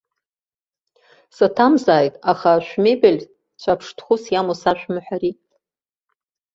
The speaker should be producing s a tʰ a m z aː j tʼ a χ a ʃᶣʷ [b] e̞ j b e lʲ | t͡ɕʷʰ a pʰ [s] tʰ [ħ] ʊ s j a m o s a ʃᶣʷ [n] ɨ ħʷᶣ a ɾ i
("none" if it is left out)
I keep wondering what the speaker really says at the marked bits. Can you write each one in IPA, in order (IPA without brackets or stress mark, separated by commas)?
m, ʂ, χ, m